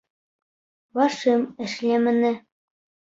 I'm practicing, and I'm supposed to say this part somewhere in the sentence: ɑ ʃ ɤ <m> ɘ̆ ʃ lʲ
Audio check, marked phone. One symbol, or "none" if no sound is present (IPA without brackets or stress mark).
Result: m